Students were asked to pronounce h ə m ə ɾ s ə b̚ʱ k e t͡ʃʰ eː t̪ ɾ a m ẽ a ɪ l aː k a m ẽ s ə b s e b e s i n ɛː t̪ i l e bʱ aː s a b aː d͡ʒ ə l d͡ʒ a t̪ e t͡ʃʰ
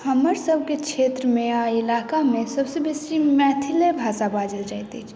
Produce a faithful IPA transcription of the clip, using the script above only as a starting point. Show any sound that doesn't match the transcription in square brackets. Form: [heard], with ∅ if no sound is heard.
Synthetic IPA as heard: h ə m ə ɾ s ə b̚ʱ k e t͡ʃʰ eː t̪ ɾ [ə] m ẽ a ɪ l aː k a m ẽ s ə b s e b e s i [m] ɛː [t̪ʰ] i l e bʱ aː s a b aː d͡ʒ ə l d͡ʒ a t̪ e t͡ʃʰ